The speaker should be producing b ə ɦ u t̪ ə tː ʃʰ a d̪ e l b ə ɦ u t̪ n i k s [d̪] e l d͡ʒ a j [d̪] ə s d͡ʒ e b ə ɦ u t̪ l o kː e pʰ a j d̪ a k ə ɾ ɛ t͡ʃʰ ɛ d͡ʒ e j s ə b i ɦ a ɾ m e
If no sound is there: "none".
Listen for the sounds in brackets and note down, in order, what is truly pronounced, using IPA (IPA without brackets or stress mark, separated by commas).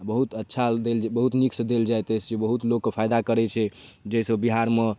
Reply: d̪, t̪